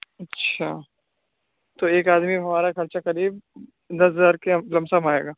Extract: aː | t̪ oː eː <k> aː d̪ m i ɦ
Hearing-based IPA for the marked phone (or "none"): k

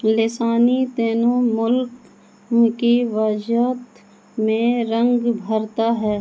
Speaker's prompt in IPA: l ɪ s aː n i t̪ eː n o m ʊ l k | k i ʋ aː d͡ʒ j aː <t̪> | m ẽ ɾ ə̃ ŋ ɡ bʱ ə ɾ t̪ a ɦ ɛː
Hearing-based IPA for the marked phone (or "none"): t̪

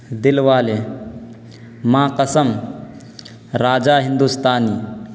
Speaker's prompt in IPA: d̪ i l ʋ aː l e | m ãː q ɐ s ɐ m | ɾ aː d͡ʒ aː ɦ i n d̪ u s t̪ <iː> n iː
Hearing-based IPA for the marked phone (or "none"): aː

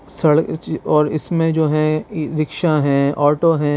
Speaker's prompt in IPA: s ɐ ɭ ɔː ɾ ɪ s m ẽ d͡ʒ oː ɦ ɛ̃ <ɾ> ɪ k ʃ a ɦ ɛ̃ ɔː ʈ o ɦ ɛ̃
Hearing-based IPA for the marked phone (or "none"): ɾ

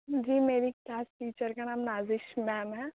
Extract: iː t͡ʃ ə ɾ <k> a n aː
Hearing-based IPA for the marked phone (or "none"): k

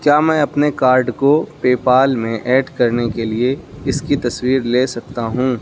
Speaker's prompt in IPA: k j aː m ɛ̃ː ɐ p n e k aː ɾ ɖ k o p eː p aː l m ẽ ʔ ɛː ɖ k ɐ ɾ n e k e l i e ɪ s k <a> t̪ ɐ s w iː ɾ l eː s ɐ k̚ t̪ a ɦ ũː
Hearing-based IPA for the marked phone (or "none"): i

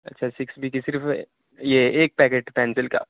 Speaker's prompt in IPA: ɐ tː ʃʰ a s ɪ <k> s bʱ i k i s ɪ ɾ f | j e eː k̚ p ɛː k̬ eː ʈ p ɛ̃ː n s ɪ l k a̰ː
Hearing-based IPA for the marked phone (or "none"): k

